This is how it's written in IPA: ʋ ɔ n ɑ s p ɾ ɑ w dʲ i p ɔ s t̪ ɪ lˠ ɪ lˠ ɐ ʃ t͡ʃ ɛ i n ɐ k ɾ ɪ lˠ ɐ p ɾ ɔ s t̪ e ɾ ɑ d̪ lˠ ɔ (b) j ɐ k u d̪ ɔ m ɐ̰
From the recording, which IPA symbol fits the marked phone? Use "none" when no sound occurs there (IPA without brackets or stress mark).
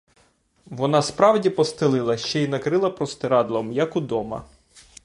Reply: m